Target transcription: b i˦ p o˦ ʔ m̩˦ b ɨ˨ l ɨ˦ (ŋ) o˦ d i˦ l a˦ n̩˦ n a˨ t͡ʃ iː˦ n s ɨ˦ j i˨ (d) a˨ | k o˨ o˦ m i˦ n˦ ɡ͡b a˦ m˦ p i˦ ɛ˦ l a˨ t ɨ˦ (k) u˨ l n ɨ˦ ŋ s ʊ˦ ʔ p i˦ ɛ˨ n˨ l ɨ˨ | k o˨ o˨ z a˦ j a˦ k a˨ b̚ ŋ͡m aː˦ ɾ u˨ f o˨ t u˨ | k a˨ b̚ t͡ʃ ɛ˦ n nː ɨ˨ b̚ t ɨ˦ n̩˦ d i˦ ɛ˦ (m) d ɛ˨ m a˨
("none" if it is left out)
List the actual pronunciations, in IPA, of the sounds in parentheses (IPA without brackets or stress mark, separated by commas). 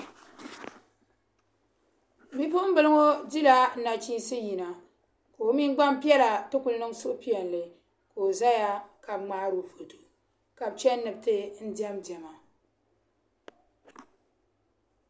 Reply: ŋ, n, k, m